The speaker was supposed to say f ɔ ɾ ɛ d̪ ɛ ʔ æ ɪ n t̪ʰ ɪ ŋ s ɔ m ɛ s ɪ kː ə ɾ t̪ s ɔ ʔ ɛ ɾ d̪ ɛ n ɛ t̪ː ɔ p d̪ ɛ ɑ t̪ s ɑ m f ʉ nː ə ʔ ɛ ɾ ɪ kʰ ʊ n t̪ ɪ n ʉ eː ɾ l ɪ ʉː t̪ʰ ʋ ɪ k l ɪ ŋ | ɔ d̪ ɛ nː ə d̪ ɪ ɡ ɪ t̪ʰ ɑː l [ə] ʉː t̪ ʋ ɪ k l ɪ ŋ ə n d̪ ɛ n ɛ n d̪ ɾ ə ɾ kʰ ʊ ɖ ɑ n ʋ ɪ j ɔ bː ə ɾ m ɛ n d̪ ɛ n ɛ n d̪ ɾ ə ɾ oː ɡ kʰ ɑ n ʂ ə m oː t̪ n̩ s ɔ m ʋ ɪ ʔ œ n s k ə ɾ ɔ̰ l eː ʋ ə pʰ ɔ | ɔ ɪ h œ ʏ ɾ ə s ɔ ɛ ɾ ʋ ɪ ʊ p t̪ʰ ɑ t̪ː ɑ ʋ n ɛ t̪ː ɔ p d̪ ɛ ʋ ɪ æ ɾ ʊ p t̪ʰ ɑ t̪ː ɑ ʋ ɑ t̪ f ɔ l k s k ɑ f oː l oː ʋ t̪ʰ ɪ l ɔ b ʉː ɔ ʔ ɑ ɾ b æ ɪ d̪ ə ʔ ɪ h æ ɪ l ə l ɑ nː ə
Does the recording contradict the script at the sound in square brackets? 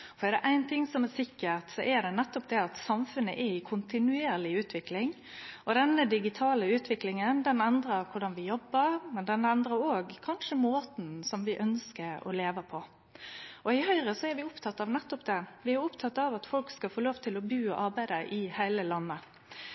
no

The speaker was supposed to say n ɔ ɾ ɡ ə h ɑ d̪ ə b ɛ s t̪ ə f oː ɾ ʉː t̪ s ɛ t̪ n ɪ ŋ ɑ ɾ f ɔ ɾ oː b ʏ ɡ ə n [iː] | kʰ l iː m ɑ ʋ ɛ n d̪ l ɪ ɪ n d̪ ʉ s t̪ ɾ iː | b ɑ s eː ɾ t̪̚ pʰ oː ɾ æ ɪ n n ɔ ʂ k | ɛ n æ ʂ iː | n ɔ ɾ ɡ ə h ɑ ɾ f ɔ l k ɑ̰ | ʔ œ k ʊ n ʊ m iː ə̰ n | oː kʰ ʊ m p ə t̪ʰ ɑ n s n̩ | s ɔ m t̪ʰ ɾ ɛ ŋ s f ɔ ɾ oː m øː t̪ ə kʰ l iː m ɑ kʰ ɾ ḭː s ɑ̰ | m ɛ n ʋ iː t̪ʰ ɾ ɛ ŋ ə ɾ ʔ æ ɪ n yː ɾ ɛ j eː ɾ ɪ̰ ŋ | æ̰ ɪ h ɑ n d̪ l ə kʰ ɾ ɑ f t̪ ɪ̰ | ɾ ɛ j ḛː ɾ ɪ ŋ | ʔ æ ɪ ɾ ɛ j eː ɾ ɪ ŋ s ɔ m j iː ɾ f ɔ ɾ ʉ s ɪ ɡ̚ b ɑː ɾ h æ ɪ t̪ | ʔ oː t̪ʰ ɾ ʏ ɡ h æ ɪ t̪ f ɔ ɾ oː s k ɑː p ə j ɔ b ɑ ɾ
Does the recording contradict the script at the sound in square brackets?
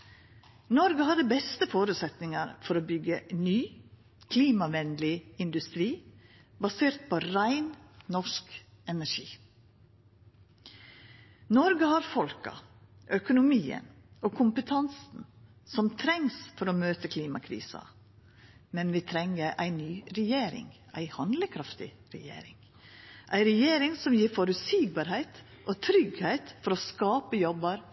yes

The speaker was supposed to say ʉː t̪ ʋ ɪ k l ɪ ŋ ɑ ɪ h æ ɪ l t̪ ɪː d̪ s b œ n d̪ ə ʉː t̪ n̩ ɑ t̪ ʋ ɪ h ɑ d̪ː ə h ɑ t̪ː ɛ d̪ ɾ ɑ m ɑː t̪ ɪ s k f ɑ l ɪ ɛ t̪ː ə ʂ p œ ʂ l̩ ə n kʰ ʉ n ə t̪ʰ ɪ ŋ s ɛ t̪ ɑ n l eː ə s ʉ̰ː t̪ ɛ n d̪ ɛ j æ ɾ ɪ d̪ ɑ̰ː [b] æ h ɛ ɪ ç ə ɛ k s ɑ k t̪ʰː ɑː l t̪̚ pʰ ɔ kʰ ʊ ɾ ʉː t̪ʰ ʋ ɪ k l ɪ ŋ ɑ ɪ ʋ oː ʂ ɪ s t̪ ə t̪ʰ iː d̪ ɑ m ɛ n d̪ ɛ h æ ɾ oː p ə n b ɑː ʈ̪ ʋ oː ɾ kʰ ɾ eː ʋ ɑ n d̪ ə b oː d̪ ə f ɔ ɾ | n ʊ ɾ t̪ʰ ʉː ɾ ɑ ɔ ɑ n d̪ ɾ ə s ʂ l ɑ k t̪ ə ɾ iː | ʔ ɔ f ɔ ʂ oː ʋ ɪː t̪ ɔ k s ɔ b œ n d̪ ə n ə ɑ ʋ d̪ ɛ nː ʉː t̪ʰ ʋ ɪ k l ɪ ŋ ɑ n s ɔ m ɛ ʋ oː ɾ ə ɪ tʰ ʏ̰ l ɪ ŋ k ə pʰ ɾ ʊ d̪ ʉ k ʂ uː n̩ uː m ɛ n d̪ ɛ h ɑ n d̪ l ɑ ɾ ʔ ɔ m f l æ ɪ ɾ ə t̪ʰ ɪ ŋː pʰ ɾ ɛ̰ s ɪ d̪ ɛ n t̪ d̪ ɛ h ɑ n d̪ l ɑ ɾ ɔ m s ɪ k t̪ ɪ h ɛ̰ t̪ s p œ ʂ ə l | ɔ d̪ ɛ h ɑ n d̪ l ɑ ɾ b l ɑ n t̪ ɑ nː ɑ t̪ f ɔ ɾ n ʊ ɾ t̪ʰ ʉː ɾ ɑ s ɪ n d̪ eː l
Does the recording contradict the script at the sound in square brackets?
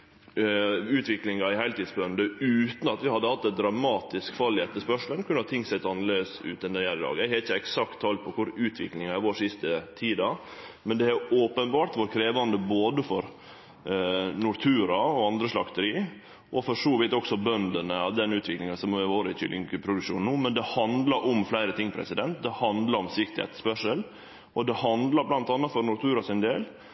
yes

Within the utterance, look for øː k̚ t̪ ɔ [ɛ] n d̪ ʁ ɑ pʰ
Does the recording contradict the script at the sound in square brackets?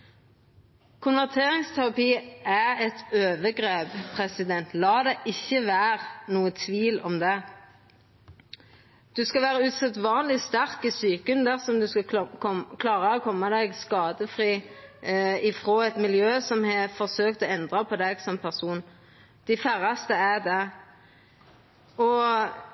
no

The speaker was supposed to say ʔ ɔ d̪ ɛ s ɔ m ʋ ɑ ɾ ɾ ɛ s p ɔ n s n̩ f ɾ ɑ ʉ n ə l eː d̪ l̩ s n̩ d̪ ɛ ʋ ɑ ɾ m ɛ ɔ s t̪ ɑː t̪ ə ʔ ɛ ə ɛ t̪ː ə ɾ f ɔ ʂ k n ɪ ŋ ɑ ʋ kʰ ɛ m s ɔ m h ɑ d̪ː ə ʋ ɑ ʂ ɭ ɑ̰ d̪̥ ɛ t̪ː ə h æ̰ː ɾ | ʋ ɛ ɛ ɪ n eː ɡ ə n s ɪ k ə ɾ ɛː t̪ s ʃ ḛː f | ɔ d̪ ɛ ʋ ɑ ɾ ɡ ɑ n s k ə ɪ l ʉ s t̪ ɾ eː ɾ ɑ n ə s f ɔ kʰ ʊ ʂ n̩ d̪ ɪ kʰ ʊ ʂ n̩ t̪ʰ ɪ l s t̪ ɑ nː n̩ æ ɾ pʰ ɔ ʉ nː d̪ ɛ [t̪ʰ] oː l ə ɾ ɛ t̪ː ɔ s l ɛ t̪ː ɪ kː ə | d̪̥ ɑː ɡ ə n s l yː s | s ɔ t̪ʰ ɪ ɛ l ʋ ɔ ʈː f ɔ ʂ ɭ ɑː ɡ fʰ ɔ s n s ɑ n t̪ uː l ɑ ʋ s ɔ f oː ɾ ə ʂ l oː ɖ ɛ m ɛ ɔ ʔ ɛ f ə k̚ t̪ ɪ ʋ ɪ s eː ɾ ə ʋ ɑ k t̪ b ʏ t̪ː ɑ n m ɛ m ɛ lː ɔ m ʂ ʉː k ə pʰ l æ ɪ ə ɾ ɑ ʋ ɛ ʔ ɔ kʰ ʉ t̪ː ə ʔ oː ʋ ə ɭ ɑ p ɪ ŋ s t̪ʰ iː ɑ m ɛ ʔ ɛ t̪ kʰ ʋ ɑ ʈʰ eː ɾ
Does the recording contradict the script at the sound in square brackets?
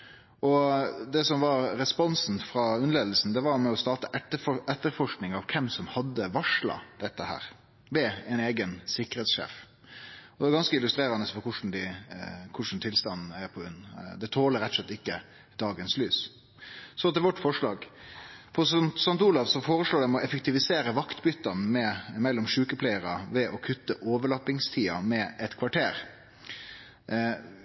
no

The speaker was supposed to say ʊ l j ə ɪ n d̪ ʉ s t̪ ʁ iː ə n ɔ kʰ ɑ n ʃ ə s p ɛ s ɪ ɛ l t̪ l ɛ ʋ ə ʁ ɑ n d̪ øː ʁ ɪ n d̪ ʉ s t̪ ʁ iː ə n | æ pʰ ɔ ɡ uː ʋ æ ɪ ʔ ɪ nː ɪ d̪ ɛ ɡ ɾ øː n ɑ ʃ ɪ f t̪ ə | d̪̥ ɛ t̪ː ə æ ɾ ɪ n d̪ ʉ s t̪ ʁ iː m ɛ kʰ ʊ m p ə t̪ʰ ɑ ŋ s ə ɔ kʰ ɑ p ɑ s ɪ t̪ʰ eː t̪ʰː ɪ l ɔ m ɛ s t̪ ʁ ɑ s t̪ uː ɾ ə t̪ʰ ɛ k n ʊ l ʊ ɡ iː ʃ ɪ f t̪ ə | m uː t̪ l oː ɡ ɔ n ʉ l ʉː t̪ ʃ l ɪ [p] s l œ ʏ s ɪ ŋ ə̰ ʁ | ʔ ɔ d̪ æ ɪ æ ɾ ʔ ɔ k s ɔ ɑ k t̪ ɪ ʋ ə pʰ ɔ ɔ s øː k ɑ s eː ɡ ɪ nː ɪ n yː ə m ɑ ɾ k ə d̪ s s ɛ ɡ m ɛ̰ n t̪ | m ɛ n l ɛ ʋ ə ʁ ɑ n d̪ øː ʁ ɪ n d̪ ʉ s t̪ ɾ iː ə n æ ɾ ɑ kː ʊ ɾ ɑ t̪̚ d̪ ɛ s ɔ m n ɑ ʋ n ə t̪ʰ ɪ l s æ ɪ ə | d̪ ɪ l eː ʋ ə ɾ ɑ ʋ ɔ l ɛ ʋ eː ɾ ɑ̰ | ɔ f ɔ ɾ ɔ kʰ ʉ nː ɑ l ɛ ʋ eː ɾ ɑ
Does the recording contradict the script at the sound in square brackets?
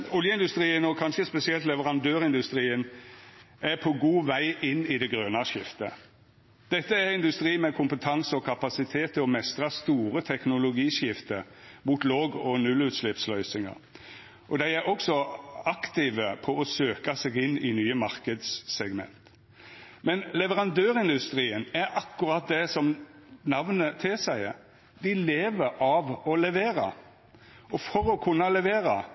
no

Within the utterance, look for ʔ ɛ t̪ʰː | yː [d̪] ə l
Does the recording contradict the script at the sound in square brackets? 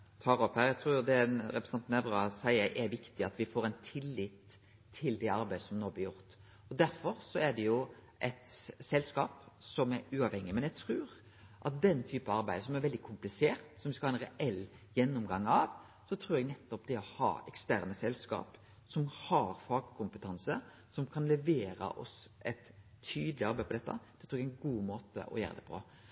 no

